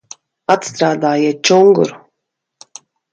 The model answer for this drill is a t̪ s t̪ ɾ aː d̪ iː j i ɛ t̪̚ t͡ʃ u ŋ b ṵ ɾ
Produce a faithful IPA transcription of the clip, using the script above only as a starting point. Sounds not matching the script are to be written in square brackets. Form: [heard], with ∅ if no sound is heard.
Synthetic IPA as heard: a t̪ s t̪ ɾ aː d̪ [aː] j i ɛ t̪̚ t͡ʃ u ŋ [ɡ] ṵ ɾ